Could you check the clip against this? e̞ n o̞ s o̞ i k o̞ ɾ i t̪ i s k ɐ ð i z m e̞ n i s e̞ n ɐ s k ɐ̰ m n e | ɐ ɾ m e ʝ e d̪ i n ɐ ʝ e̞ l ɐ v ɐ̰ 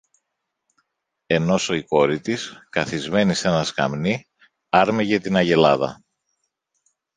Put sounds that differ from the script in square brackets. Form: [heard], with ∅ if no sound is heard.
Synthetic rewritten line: e̞ n o̞ s o̞ i k o̞ ɾ i t̪ i s k ɐ [θ] i z m e̞ n i s e̞ n ɐ s k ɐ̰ m n [i] | ɐ ɾ m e ʝ e [t̪] i n ɐ ʝ e̞ l ɐ [ð] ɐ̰

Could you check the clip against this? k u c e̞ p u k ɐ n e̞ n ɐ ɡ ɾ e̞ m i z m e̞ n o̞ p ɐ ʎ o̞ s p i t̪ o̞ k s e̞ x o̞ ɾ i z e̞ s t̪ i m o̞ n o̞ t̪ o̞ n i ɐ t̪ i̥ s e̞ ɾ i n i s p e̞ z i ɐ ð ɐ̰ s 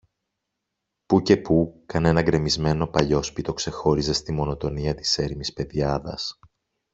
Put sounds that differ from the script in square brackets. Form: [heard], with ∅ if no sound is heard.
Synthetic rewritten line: [p] u c e̞ p u k ɐ n e̞ n ɐ ɡ ɾ e̞ m i z m e̞ n o̞ p ɐ ʎ o̞ s p i t̪ o̞ k s e̞ x o̞ ɾ i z e̞ s t̪ i m o̞ n o̞ t̪ o̞ n i ɐ t̪ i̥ s e̞ ɾ i [m] i s p e̞ [ð] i ɐ ð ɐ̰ s

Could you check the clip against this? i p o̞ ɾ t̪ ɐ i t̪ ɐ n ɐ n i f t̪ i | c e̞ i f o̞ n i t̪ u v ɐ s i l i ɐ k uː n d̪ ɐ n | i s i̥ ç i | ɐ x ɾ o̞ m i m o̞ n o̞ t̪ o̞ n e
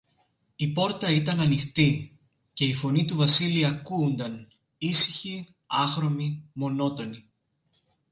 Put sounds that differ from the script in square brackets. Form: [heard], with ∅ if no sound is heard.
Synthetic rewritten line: i p o̞ ɾ t̪ ɐ i t̪ ɐ n ɐ n i [x] t̪ i | c e̞ i f o̞ n i t̪ u v ɐ s i l i ɐ k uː n d̪ ɐ n | i s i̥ ç i | ɐ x ɾ o̞ m i m o̞ n o̞ t̪ o̞ n [i]

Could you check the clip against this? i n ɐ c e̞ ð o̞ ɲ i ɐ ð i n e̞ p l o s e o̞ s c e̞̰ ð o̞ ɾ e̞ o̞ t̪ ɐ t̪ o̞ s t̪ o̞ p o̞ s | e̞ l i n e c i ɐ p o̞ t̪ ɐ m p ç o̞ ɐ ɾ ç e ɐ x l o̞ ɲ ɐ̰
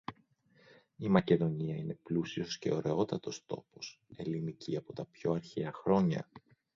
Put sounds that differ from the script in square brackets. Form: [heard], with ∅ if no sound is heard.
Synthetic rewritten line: i [m] ɐ c e̞ ð o̞ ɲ i ɐ [∅] i n e̞ p l [u] s [i] o̞ s c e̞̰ [∅] o̞ ɾ e̞ o̞ t̪ ɐ t̪ o̞ s t̪ o̞ p o̞ s | e̞ l i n [i] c i ɐ p o̞ t̪ ɐ [∅] p ç o̞ ɐ ɾ ç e ɐ x [ɾ] o̞ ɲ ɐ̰

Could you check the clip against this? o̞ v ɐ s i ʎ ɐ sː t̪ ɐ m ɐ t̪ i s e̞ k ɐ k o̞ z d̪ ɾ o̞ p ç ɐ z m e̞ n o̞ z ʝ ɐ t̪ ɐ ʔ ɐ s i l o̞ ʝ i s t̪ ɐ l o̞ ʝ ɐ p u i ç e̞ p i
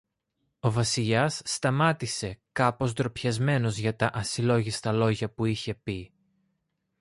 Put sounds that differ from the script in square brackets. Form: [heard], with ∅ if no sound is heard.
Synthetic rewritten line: o̞ v ɐ s i ʎ ɐ sː t̪ ɐ m ɐ t̪ i s e̞ k ɐ [p] o̞ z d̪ ɾ o̞ p ç ɐ z m e̞ n o̞ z ʝ ɐ t̪ ɐ ʔ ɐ s i l o̞ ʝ i s t̪ ɐ l o̞ ʝ ɐ p u i ç e̞ p i

